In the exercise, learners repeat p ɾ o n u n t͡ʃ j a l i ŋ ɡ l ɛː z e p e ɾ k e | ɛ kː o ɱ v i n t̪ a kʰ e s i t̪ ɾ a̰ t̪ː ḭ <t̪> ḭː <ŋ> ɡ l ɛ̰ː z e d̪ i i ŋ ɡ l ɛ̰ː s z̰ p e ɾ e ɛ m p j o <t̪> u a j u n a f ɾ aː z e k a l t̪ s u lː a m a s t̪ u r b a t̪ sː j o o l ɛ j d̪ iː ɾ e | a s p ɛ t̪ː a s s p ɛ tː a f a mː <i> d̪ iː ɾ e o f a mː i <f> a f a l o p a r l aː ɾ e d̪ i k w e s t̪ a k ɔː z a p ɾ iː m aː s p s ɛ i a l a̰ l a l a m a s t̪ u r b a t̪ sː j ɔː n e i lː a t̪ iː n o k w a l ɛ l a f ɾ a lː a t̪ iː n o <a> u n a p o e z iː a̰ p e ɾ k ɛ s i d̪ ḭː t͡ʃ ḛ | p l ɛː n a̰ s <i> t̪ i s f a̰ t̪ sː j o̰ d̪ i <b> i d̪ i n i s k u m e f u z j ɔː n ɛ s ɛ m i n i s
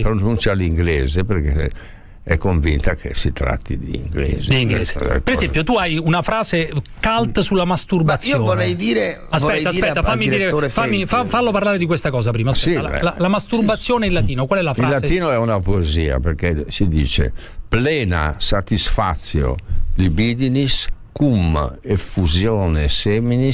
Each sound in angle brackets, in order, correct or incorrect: incorrect: d̪, correct, correct, correct, correct, incorrect: ɛ, incorrect: a, correct

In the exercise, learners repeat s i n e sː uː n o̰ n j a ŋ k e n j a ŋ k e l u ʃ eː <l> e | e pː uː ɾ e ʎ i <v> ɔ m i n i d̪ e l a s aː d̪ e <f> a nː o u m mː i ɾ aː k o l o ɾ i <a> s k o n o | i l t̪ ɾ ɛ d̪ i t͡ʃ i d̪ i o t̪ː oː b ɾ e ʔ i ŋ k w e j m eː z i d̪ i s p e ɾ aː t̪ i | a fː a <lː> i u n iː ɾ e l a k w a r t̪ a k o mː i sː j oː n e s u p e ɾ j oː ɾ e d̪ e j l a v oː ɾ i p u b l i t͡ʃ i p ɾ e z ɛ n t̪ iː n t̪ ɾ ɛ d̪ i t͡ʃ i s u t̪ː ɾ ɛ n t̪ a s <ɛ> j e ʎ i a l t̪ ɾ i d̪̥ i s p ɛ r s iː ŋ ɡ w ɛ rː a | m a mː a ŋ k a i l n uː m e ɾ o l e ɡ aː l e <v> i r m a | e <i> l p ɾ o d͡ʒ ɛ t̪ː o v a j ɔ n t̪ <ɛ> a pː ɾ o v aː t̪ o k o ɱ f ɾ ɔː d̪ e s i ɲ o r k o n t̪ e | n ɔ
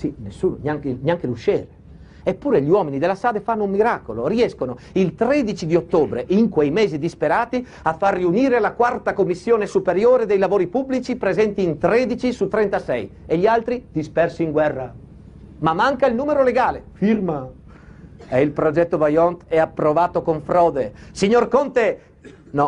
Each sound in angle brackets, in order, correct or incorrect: incorrect: ɾ, incorrect: w, correct, incorrect: ɛ, incorrect: rː, correct, incorrect: f, correct, correct

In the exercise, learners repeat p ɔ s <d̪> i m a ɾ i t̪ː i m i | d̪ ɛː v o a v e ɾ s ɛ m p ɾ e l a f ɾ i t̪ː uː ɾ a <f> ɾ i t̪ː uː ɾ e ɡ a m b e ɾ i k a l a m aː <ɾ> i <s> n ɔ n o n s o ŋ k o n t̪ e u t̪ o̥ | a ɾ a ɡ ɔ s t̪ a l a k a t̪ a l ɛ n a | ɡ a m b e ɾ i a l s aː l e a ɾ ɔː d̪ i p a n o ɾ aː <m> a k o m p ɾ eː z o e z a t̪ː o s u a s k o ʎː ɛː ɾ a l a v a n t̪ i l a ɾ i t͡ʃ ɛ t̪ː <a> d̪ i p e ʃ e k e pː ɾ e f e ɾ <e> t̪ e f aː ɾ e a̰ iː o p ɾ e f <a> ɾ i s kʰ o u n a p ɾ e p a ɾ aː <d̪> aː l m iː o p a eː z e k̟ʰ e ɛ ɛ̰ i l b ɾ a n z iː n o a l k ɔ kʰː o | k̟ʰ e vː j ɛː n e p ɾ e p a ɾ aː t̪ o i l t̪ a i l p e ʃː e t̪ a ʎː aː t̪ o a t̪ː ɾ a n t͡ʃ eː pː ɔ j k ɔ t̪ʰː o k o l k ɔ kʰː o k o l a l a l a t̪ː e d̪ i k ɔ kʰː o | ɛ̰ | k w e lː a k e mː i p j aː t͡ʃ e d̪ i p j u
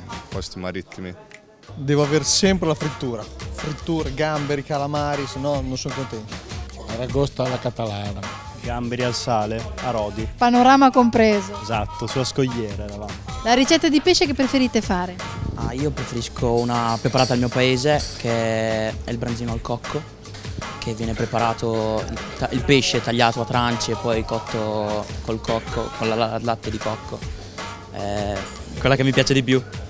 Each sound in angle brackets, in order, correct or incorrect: incorrect: t̪, correct, correct, correct, correct, correct, incorrect: i, incorrect: e, incorrect: t̪

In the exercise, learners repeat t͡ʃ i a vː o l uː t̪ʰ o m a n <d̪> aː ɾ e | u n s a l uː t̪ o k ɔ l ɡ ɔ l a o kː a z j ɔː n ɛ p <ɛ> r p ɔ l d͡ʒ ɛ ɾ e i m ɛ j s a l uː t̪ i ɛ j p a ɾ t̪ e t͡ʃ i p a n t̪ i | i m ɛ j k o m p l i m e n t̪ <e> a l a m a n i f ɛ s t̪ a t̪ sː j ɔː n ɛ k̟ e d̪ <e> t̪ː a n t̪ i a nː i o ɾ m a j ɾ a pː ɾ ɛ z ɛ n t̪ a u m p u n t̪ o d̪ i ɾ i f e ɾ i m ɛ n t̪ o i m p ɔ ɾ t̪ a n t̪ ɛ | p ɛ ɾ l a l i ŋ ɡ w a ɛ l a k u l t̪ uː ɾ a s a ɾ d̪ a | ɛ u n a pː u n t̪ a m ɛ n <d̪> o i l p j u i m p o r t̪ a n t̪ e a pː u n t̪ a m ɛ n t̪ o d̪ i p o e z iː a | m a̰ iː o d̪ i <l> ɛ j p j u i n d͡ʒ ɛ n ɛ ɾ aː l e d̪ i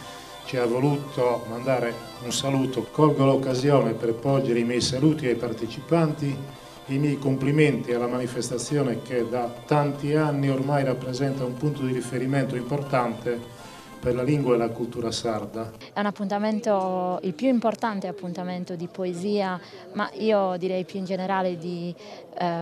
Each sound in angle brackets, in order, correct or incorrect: correct, correct, incorrect: i, incorrect: a, incorrect: t̪, incorrect: ɾ

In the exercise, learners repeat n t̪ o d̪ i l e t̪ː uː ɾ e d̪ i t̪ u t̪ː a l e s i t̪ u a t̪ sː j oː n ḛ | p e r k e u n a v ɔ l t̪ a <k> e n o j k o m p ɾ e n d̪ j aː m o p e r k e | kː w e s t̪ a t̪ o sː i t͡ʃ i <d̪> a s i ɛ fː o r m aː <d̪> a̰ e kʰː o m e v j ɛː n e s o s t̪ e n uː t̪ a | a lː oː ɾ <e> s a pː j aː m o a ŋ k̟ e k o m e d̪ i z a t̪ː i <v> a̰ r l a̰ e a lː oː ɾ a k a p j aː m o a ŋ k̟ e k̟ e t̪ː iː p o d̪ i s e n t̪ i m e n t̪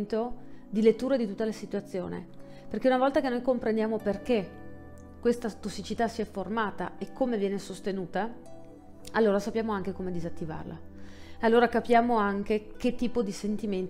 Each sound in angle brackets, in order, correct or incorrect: correct, incorrect: t̪, incorrect: t̪, incorrect: a, correct

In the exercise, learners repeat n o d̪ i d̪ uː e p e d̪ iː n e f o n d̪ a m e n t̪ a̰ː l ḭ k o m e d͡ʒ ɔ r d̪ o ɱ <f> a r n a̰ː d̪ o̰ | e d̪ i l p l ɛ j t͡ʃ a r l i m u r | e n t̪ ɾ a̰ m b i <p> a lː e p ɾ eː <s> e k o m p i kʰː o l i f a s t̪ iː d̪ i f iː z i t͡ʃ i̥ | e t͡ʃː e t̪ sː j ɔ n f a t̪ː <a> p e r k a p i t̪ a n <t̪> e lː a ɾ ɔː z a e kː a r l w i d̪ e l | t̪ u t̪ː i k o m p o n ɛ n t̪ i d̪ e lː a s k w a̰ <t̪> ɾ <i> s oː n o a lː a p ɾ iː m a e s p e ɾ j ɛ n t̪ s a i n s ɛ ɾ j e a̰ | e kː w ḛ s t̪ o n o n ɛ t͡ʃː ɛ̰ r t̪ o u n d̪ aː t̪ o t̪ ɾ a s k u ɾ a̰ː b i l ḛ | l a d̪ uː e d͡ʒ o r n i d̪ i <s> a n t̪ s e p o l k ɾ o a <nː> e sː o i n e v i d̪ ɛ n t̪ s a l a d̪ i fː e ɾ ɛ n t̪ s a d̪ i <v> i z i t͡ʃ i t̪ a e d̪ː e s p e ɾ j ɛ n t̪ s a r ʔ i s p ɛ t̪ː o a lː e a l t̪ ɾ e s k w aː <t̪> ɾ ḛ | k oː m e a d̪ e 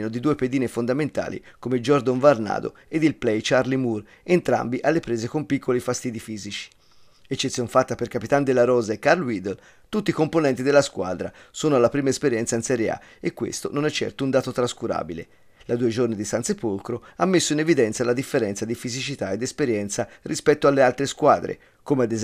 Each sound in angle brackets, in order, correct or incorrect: incorrect: v, incorrect: ʔ, incorrect: z, correct, incorrect: d̪, incorrect: d̪, incorrect: a, correct, incorrect: mː, incorrect: f, incorrect: d̪

